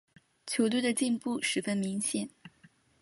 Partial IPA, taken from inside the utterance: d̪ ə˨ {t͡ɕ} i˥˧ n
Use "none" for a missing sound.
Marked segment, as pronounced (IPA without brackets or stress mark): t͡ɕ